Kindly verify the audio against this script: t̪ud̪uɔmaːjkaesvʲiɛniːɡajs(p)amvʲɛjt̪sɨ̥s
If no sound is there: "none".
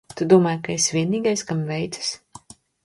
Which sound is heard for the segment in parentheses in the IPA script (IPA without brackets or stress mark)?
k